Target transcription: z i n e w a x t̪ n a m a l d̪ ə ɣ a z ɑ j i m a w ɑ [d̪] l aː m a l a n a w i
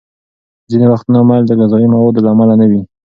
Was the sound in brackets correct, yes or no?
yes